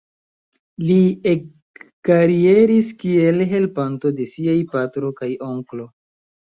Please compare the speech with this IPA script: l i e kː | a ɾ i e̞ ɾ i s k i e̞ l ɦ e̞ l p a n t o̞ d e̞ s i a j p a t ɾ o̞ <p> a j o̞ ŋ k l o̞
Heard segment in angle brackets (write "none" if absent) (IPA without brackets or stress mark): k